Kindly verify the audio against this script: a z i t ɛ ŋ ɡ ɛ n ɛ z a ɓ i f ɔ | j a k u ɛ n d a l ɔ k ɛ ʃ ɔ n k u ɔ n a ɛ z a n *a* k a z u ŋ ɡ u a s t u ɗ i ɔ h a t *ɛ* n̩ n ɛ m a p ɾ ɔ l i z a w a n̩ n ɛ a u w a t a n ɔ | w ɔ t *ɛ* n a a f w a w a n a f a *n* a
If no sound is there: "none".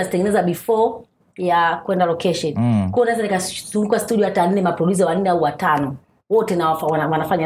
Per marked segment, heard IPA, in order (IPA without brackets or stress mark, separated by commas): i, a, ɛ, ɲ